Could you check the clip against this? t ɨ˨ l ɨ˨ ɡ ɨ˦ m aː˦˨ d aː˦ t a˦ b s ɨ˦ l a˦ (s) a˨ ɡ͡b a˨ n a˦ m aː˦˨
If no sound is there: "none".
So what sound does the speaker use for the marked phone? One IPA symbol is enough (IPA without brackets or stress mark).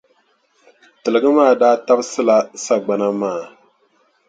s